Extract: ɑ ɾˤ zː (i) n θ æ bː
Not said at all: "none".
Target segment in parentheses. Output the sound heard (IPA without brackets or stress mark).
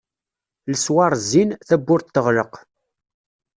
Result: i